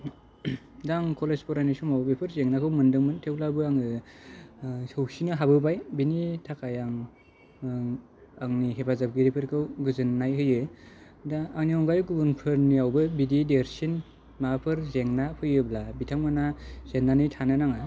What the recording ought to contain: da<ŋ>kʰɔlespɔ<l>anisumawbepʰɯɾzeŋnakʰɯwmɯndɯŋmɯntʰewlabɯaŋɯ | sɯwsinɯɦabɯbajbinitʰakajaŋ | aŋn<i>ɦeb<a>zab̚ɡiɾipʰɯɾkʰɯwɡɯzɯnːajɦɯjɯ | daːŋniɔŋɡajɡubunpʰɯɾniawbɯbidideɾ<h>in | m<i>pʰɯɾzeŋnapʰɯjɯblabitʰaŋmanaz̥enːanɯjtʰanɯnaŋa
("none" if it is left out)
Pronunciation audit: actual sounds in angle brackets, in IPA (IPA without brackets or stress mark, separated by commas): ŋ, ɾ, i, a, s, a